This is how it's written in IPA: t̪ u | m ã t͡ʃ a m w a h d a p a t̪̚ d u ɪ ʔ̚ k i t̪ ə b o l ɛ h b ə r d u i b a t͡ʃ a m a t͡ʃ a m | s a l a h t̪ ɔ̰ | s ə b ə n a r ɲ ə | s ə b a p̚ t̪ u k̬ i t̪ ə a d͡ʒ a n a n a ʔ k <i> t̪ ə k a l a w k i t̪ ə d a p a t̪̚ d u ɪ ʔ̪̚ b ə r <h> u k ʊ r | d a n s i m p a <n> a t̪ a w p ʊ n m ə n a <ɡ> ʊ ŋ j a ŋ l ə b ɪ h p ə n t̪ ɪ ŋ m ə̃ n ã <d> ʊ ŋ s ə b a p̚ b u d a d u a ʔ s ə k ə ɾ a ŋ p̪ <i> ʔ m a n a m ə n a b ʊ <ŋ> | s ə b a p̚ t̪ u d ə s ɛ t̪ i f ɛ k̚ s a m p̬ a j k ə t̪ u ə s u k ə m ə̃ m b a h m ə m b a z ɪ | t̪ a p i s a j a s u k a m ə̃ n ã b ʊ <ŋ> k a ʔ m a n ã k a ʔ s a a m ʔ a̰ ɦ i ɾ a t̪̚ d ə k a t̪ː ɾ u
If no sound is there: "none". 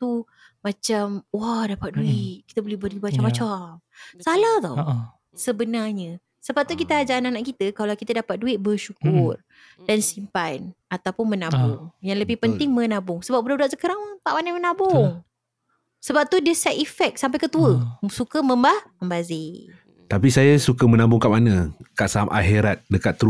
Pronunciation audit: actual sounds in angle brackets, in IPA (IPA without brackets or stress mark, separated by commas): i, ʃ, n, b, b, a, ŋ, ŋ